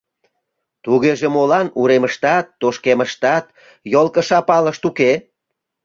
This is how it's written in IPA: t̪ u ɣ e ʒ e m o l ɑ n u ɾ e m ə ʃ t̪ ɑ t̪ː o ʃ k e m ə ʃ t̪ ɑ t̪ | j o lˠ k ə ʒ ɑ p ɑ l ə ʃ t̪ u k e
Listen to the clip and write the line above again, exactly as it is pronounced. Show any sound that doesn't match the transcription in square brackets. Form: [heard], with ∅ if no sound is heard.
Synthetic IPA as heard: t̪ u ɣ e ʒ e m o l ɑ n u ɾ e m ə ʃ t̪ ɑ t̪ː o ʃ k e m ə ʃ t̪ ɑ t̪ | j o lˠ k ə [ʃ] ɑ p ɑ l ə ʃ t̪ u k e